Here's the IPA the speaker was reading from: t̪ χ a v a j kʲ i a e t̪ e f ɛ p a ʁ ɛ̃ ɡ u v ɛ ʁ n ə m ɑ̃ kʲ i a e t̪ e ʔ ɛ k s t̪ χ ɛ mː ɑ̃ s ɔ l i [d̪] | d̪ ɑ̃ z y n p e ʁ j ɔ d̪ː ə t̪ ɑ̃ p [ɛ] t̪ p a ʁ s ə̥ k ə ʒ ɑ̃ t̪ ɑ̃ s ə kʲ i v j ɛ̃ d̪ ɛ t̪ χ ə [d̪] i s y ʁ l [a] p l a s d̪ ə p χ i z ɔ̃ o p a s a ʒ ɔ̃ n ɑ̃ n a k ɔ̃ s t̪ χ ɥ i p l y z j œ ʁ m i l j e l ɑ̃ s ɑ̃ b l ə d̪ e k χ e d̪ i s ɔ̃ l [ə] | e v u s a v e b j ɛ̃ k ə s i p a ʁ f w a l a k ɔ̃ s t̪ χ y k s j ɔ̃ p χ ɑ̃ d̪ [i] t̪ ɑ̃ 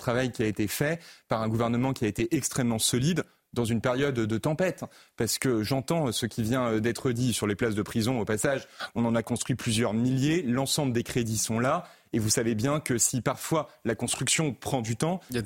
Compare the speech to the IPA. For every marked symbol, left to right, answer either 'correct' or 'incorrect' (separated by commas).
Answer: correct, correct, correct, incorrect, incorrect, incorrect